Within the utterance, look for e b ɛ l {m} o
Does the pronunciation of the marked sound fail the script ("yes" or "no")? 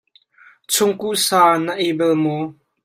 no